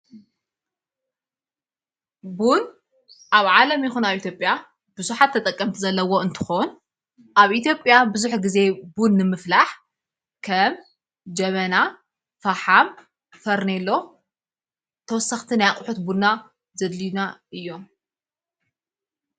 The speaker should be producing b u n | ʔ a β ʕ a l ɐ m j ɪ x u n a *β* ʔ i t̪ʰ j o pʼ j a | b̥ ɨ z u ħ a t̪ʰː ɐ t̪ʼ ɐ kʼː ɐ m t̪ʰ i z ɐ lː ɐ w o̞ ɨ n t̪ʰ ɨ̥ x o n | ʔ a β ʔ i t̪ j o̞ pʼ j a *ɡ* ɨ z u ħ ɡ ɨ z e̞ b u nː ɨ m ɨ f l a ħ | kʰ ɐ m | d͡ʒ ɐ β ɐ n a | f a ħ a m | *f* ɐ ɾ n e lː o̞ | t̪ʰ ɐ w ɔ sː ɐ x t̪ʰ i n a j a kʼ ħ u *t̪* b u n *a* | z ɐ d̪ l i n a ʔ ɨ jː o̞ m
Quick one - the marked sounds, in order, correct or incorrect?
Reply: correct, incorrect, correct, correct, correct

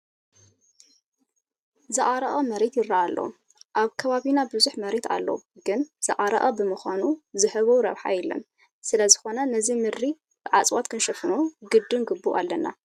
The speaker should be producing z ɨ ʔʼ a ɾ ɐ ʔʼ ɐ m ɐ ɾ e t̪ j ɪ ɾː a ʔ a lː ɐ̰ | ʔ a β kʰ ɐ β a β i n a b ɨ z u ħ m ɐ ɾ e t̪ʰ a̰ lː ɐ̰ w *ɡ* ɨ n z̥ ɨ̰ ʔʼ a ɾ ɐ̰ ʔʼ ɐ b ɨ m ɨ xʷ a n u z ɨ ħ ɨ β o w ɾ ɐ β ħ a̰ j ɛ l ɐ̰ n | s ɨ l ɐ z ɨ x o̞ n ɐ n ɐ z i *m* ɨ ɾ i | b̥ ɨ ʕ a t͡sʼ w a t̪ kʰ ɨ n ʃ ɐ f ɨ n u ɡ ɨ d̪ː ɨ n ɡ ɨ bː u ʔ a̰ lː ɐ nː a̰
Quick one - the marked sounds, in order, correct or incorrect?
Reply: correct, correct

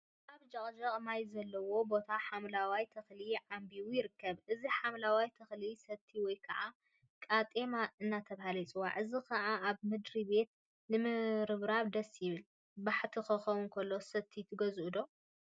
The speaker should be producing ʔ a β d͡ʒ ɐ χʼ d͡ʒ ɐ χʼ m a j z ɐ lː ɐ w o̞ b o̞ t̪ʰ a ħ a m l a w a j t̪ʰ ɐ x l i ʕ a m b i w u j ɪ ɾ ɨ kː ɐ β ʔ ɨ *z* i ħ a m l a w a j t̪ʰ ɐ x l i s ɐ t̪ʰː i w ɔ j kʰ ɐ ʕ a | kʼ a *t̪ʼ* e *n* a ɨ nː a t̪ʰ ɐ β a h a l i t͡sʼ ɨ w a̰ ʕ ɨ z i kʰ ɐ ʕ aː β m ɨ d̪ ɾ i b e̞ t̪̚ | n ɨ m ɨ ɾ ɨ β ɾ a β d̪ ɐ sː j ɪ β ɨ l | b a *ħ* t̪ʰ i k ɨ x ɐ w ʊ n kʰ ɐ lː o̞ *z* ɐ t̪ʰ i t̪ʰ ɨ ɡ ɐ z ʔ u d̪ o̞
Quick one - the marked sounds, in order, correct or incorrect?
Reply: correct, correct, incorrect, correct, incorrect

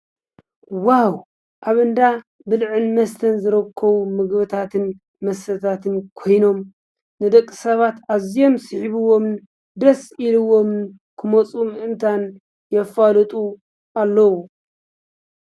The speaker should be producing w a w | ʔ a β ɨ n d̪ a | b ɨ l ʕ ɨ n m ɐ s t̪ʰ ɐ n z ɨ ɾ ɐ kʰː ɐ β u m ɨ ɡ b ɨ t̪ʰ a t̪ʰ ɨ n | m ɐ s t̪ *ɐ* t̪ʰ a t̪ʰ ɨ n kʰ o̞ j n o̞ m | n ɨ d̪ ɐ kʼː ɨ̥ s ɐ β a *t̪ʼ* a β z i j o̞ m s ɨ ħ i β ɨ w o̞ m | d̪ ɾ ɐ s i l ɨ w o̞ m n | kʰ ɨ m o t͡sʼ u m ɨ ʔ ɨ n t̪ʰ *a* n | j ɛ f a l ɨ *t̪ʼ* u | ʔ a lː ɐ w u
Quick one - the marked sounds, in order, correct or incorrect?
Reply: correct, incorrect, correct, correct

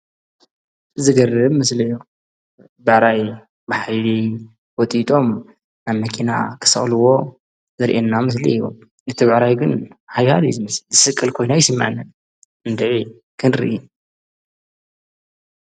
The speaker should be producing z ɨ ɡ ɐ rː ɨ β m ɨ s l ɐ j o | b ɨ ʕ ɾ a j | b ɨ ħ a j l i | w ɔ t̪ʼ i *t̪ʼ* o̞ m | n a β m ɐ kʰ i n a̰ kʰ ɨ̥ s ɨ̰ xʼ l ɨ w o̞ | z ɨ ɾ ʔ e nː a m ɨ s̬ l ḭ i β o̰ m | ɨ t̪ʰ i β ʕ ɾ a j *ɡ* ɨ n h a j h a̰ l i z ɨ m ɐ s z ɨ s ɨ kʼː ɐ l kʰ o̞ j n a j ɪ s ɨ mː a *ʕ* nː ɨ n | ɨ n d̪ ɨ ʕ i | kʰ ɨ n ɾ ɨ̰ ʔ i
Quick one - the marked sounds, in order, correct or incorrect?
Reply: correct, correct, correct

